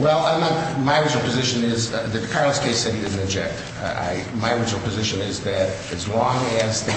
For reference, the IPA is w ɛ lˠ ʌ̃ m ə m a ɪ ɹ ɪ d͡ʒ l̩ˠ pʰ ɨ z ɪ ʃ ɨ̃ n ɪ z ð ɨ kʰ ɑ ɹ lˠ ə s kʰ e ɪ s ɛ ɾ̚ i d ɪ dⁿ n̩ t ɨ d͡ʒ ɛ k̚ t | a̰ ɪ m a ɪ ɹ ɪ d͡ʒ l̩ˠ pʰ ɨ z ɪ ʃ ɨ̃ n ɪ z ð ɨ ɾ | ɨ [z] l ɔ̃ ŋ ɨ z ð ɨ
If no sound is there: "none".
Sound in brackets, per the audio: z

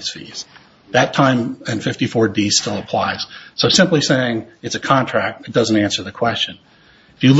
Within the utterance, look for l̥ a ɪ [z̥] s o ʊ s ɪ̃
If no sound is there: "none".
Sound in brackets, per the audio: z̥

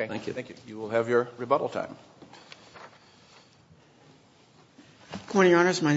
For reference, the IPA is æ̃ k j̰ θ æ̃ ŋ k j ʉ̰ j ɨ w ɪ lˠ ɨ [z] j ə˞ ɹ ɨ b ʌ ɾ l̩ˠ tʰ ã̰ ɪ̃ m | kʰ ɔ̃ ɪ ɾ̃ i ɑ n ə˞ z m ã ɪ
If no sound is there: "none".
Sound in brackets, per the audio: v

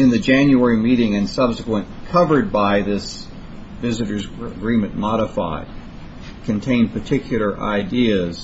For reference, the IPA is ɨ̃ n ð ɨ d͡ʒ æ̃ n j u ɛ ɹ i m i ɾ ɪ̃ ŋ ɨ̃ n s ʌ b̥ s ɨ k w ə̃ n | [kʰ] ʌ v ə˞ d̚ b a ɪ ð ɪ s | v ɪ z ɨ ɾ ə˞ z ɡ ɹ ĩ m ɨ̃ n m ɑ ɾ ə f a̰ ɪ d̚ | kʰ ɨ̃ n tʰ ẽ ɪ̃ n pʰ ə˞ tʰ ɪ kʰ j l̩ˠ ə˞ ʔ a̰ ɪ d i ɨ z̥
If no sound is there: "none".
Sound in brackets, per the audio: kʰ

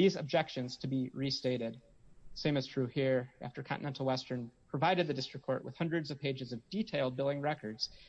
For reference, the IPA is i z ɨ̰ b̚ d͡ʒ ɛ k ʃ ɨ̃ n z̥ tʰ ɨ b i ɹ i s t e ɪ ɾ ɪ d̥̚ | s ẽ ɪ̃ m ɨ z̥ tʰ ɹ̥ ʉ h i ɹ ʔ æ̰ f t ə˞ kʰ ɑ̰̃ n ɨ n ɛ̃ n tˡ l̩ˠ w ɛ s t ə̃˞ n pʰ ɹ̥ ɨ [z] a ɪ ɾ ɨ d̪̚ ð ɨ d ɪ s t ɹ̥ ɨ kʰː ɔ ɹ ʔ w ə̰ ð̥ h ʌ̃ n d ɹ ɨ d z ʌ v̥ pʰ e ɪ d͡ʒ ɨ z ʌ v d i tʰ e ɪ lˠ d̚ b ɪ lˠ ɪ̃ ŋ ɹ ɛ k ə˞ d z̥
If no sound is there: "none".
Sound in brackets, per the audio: v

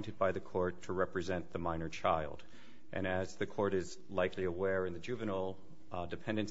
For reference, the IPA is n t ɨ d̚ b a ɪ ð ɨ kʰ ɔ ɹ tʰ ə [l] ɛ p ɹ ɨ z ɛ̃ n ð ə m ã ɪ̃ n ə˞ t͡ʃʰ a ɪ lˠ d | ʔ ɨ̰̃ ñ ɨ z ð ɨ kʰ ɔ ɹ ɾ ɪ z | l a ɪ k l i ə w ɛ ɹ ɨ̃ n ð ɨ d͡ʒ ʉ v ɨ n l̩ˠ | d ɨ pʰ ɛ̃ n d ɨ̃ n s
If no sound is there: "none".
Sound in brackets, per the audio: ɹ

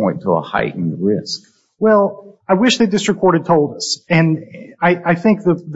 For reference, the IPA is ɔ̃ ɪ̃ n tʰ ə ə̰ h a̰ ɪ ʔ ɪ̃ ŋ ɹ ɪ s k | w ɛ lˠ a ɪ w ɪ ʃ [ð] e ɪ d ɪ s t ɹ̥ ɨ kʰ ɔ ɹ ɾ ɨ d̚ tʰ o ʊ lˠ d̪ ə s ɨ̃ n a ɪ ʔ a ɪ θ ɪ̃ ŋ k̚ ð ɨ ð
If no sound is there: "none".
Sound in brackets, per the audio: ð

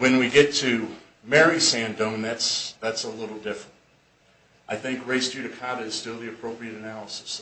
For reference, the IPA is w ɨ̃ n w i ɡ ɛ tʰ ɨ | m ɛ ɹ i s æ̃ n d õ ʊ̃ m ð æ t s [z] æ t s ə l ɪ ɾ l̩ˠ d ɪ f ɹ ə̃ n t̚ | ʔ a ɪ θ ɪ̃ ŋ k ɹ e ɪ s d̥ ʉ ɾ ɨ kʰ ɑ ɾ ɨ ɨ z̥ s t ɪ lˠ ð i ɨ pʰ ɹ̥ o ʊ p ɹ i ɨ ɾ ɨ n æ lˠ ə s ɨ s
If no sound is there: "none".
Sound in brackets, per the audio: ð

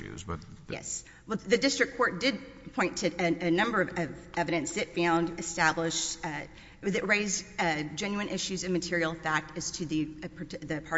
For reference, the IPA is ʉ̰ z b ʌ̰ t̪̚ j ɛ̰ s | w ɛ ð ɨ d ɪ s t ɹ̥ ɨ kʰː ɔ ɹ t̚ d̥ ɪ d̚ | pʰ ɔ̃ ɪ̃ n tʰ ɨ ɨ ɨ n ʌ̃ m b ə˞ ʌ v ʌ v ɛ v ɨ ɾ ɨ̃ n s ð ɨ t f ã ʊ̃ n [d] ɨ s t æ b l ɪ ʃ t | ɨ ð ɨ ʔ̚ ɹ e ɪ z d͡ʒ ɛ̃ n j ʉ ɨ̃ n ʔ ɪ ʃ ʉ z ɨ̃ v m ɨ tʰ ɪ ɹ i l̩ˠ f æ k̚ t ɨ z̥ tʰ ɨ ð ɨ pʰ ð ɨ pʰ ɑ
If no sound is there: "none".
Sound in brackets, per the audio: d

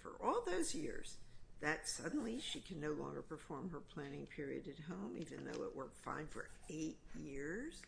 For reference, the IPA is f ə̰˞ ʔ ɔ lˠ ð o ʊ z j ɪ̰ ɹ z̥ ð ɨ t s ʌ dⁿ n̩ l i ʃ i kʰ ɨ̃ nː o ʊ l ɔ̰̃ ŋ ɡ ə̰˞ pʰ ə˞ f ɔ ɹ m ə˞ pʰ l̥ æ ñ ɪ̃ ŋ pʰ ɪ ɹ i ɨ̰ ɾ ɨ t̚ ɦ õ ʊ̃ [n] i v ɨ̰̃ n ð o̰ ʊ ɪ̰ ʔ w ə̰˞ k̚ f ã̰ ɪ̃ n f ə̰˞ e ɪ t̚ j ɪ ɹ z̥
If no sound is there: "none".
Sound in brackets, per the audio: m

